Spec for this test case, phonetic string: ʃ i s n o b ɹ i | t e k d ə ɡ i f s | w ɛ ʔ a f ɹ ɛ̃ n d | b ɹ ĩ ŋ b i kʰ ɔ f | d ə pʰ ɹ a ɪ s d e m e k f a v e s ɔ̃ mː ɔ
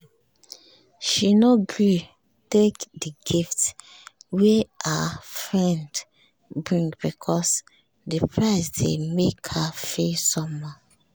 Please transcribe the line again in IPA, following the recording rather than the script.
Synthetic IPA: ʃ i n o ɡ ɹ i | t e k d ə ɡ i f t | w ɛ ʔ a f ɹ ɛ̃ n d | b ɹ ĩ ŋ b i kʰ ɔ s | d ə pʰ ɹ a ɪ s d e m e k h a f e s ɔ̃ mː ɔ